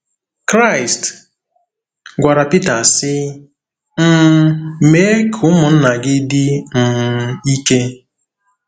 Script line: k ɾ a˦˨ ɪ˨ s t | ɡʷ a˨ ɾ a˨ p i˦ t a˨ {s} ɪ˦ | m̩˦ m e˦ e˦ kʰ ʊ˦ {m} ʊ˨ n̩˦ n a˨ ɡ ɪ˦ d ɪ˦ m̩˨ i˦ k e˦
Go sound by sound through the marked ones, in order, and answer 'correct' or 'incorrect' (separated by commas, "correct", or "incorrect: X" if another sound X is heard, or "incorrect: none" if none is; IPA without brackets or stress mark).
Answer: correct, correct